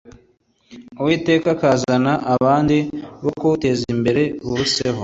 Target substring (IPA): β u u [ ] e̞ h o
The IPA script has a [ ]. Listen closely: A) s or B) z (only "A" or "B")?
A